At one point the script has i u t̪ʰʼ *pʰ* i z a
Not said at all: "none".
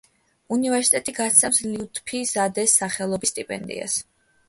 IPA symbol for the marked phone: pʰ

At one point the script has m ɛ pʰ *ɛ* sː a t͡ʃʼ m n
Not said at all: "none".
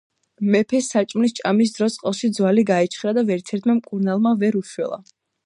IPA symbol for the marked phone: ɛ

